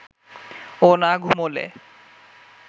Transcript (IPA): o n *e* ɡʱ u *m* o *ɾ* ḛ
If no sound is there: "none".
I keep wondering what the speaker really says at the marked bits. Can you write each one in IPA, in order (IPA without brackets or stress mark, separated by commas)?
a, m, l